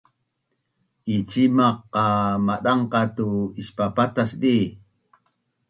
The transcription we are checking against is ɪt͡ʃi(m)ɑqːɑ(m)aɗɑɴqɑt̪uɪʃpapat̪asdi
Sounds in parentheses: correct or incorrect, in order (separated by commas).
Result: correct, correct